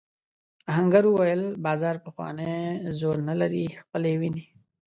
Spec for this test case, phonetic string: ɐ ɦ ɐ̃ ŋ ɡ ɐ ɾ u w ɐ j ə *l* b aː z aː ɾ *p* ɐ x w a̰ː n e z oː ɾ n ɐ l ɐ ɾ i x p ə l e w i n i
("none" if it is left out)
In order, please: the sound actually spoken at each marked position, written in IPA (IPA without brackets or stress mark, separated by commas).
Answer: l, p